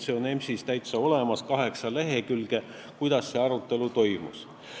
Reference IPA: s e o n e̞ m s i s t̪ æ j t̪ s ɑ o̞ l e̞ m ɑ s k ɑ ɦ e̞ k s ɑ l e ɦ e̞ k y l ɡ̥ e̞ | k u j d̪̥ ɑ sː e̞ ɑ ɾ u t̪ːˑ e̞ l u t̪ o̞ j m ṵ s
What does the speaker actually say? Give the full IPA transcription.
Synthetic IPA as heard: s e o n e̞ m s i s t̪ æ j t̪ s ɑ o̞ l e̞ m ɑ s k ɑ ɦ e̞ k s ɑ l e ɦ e̞ k y l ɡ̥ e̞ | k u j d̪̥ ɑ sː e̞ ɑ ɾ u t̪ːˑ e̞ l u t̪ o̞ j m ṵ s